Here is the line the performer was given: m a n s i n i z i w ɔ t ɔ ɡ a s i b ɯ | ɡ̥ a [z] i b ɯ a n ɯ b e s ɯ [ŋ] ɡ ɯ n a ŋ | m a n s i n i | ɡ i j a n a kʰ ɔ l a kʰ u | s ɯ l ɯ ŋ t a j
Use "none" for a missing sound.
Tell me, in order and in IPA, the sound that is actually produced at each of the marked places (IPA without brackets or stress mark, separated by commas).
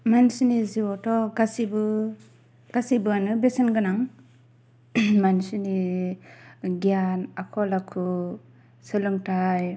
s, n